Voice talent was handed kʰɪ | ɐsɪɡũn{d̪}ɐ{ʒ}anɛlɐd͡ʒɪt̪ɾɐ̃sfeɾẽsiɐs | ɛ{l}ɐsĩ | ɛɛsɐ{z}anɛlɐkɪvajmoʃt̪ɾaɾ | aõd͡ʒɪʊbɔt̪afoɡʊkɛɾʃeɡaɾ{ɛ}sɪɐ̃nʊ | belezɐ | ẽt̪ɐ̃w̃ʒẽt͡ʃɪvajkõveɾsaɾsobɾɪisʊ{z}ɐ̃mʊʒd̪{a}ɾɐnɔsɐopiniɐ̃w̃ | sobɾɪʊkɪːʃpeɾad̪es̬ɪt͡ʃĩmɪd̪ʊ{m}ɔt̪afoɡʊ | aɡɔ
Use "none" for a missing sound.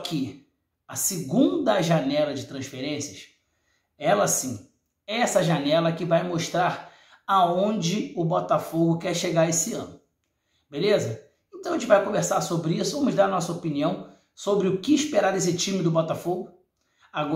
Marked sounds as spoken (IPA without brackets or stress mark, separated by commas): d̪, ʒ, l, ʒ, e, v, a, b